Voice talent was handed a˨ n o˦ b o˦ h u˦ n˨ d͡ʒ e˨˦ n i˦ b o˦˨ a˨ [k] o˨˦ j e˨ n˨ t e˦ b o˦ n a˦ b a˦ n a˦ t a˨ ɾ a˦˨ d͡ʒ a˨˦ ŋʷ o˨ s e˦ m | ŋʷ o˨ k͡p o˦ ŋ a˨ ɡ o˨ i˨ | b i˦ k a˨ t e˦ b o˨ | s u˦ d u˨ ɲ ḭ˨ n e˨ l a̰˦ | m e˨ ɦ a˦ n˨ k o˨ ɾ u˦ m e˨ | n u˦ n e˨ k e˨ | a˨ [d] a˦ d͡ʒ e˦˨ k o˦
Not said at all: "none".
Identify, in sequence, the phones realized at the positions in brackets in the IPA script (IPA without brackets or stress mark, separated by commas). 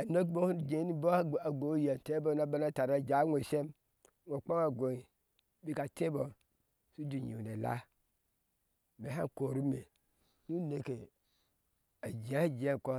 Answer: ɡ, d͡ʒ